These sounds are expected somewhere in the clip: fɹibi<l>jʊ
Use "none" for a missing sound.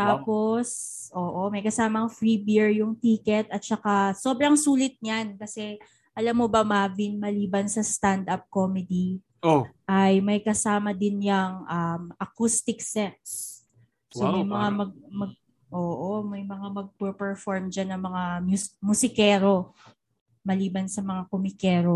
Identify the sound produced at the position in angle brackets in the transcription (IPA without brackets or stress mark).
ɹ